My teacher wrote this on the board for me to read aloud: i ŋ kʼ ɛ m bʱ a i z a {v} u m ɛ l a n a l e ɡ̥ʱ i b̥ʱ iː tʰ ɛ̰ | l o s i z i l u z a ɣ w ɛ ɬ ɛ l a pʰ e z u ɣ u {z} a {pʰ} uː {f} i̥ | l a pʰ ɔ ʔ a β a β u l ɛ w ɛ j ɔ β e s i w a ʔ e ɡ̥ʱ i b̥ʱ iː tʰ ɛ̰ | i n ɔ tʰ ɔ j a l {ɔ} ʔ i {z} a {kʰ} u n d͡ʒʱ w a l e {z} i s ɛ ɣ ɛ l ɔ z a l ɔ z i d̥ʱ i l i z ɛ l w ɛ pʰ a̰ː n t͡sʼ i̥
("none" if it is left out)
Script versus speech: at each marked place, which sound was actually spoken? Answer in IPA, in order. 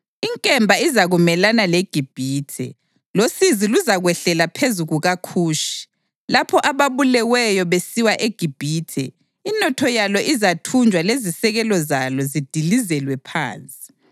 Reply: ɣ, ɣ, kʰ, ʃ, ɔ, z, tʰ, z

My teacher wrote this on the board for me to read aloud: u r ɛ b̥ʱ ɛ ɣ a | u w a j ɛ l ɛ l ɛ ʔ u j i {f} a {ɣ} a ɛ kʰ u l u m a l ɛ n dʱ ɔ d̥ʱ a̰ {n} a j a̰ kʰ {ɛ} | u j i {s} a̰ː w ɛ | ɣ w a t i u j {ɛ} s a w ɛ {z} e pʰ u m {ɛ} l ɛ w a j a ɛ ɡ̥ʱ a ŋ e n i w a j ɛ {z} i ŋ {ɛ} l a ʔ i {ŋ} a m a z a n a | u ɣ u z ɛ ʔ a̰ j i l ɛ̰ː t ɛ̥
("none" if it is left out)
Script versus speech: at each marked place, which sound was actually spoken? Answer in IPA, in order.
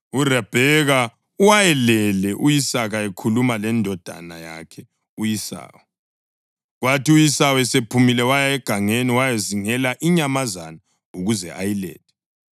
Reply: s, ɣ, n, ɛ, s, i, s, i, z, ɛ, ɲ

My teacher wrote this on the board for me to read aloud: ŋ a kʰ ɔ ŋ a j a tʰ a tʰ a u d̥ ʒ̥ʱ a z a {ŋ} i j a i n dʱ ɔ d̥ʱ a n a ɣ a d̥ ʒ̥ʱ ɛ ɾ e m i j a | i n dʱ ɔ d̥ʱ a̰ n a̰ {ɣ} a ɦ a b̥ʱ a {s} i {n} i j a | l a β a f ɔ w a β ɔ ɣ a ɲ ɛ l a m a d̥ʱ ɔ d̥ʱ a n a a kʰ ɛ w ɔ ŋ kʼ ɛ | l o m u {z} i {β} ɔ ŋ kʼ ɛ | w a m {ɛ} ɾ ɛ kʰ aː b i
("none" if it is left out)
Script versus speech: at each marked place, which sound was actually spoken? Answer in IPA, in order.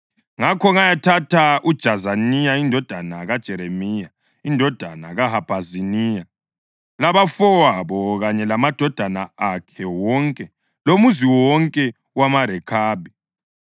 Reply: n, ɣ, z, n, z, w, a

